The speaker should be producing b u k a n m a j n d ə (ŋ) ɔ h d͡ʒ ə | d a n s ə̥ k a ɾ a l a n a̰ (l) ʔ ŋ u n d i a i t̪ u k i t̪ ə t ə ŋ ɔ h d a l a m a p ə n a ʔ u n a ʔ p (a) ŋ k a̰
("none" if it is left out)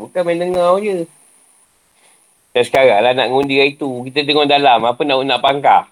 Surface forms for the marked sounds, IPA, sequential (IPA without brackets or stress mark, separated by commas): ŋ, none, a